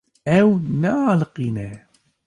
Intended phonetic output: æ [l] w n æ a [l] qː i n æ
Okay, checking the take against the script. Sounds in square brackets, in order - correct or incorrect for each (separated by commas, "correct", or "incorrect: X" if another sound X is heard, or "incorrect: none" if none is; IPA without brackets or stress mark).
incorrect: none, correct